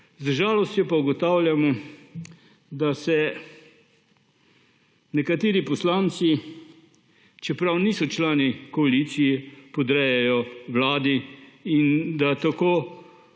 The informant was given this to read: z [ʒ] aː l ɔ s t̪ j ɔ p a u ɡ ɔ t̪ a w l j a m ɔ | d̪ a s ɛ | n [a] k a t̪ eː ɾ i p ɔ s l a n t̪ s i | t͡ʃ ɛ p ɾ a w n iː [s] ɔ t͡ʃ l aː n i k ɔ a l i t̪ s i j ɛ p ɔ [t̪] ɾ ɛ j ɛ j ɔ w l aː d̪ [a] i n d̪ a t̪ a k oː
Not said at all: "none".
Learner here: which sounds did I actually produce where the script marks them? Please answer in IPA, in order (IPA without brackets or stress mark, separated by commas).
ʒ, ɛ, s, d̪, i